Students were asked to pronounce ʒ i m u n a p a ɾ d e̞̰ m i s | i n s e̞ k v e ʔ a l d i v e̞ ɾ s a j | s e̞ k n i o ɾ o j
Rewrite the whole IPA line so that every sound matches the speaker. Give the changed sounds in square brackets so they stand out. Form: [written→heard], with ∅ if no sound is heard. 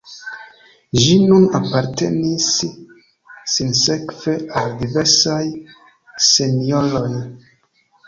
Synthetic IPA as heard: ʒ i [m→n] u n a p a ɾ [d→t] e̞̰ [m→n] i s | i n s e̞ k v e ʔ a l d i v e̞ ɾ s a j | s e̞ [k→∅] n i o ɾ o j